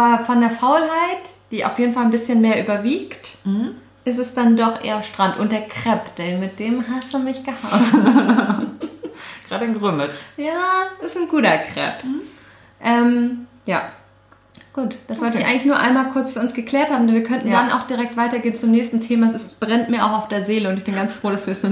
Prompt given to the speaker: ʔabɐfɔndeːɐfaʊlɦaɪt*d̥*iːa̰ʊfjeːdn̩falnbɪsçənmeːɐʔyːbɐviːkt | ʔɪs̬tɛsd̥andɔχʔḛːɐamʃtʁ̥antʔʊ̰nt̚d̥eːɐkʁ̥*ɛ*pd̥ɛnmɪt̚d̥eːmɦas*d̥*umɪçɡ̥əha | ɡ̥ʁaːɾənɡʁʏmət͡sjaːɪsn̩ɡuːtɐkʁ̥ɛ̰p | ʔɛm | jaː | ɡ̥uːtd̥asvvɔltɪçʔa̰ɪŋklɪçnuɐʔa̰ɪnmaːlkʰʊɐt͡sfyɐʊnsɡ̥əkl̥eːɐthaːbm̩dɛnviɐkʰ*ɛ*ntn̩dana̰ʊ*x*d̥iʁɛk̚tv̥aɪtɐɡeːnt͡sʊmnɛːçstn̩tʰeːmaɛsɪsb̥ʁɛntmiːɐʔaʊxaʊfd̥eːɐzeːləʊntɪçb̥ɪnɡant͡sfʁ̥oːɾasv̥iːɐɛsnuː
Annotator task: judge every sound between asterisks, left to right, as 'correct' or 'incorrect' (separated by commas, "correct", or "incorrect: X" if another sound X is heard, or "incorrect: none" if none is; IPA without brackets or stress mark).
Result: correct, correct, correct, incorrect: œ, correct